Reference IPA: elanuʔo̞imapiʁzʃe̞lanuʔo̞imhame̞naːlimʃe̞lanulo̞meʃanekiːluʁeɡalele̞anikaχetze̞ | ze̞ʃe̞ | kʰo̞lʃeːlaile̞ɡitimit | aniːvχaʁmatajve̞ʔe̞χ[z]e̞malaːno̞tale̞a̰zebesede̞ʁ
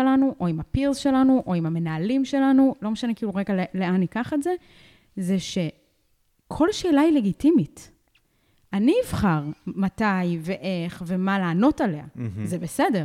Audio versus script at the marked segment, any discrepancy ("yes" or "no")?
yes